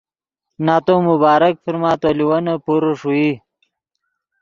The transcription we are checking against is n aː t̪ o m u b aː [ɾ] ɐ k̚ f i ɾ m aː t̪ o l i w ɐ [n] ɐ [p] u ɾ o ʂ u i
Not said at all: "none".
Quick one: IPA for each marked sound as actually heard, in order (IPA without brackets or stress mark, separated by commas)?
ɾ, n, p